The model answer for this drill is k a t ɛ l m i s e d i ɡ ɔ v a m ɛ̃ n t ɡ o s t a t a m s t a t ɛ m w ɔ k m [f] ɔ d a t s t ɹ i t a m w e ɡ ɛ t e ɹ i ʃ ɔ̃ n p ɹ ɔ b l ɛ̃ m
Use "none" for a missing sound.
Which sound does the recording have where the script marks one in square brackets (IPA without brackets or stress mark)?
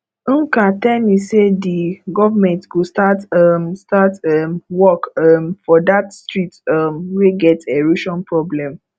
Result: f